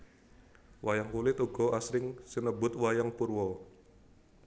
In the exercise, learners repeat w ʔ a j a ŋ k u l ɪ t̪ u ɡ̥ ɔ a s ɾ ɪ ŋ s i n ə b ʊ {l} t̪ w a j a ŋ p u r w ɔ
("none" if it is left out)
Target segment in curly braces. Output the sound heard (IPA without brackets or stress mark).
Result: none